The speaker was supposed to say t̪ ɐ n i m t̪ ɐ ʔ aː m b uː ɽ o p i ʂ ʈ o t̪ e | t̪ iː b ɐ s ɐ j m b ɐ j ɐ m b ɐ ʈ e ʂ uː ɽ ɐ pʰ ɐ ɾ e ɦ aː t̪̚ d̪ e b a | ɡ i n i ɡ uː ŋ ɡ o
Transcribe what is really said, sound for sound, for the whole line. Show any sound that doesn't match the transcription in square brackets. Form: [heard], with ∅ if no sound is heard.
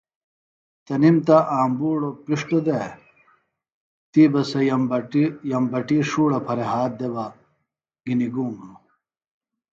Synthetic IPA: t̪ ɐ n i m t̪ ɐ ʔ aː m b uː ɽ o p i ʂ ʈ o [d̪] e | t̪ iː b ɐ s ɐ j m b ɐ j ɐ m b ɐ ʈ [i] ʂ uː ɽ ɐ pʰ ɐ ɾ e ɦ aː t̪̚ d̪ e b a | ɡ i n i ɡ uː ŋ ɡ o